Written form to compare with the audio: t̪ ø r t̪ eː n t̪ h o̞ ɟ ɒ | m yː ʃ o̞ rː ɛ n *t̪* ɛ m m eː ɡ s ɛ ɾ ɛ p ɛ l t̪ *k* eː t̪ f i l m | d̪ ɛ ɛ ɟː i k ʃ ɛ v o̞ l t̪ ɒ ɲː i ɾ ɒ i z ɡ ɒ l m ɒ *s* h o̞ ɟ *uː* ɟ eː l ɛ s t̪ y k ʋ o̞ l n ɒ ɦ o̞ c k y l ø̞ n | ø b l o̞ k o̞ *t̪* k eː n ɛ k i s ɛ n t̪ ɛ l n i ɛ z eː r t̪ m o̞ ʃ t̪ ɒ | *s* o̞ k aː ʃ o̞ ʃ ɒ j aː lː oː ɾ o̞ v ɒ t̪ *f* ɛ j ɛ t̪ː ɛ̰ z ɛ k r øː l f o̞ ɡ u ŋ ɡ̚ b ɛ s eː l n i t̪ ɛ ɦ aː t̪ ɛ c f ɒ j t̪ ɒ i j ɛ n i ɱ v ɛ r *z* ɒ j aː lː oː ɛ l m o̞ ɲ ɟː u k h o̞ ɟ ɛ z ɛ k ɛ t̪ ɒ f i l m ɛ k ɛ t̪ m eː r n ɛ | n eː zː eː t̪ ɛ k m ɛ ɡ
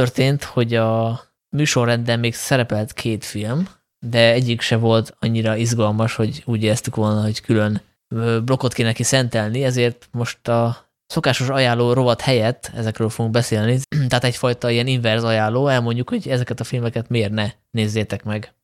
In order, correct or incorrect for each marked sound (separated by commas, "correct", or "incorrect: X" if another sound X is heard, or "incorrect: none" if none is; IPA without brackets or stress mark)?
incorrect: d̪, incorrect: kʰ, incorrect: ʃ, correct, correct, correct, incorrect: h, correct